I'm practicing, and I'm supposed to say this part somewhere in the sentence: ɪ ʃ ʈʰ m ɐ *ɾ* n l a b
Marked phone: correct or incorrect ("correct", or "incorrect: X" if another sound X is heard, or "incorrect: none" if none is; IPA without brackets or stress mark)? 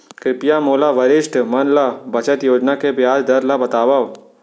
incorrect: none